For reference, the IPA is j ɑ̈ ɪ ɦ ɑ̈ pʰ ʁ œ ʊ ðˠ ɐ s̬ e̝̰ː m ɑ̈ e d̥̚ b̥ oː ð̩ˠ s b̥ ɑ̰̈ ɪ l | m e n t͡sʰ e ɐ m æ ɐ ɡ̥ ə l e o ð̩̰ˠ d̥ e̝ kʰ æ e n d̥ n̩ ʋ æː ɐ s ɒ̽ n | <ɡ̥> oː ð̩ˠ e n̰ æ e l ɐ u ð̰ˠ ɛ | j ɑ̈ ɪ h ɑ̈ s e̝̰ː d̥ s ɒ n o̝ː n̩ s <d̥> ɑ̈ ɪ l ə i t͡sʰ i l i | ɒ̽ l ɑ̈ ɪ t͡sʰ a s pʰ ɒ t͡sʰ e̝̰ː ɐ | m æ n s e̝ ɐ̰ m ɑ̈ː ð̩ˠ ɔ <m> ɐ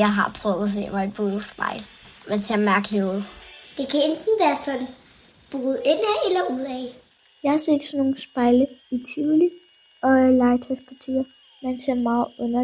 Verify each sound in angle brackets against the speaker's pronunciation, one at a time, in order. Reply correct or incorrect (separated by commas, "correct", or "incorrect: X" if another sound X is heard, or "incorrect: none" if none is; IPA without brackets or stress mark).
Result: incorrect: b̥, incorrect: b̥, incorrect: n